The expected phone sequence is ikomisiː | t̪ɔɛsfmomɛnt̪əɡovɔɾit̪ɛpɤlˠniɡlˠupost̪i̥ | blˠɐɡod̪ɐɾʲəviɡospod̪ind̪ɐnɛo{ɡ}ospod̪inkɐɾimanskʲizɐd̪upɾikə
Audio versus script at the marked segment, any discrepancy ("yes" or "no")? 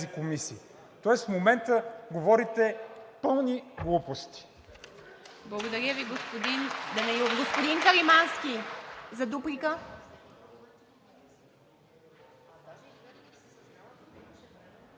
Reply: no